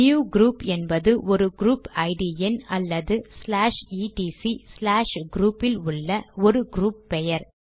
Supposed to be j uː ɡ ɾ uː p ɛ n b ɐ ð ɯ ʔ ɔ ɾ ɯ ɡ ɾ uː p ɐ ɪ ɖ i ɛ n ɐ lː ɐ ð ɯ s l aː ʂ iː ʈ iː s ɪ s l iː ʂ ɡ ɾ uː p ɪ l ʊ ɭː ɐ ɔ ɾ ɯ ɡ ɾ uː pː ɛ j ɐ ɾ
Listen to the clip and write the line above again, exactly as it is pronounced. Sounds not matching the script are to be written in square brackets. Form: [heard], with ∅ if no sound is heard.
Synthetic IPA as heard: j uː ɡ ɾ uː p ɛ n b ɐ ð ɯ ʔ ɔ ɾ ɯ ɡ ɾ uː p ɐ ɪ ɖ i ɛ n ɐ lː ɐ ð ɯ s l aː ʂ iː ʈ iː s [i] s l [aː] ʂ ɡ ɾ uː p ɪ l ʊ ɭː ɐ ɔ ɾ ɯ ɡ ɾ uː pː ɛ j ɐ ɾ